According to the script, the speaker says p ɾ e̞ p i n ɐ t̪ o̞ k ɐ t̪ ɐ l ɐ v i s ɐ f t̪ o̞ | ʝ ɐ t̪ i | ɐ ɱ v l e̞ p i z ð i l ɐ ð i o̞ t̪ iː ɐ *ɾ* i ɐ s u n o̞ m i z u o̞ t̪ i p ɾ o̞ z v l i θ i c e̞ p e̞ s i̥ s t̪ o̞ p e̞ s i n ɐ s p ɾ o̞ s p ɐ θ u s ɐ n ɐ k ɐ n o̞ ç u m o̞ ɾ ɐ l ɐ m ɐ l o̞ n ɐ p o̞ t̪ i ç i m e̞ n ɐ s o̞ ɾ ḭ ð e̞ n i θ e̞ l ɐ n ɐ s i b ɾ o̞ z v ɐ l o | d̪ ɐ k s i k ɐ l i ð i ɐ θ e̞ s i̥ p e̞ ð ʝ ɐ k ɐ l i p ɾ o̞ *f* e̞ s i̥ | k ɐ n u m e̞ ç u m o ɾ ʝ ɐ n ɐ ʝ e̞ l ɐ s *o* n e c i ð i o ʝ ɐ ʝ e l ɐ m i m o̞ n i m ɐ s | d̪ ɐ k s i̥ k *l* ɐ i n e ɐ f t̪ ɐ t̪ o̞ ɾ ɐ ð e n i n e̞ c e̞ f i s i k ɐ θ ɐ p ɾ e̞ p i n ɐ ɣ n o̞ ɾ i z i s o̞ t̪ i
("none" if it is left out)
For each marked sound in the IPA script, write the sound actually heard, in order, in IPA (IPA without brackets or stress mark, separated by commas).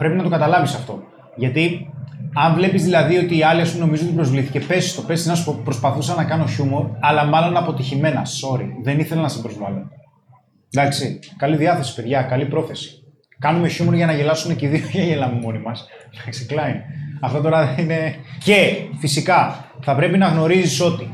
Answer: l, θ, u, l